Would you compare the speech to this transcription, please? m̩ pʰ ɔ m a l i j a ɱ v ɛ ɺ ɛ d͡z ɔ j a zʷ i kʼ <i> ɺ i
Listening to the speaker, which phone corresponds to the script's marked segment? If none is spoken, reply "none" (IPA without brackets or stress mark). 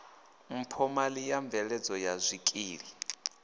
iː